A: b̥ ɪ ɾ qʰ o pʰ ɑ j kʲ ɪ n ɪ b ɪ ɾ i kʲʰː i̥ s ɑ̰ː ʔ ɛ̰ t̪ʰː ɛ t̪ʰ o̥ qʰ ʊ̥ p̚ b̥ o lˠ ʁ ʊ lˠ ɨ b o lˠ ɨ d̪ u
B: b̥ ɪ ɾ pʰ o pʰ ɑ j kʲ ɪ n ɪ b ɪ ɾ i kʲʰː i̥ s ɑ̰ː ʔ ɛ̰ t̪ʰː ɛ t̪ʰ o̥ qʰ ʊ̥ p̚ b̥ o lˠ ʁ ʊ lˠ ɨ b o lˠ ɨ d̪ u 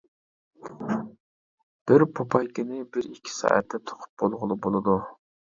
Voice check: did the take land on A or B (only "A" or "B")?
B